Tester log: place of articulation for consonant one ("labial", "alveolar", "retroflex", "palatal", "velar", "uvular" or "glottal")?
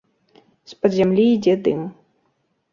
alveolar